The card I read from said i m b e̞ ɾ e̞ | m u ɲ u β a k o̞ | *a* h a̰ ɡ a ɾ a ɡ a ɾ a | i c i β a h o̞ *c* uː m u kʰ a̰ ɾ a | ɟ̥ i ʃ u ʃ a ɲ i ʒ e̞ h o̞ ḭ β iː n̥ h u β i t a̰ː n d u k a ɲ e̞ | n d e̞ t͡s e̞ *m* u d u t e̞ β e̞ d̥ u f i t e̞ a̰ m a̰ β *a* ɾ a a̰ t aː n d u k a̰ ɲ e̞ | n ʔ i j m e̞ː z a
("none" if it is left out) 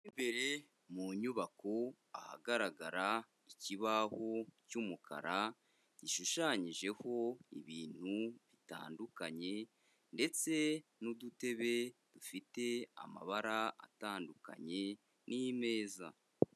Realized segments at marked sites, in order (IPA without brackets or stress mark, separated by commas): a, c, n, a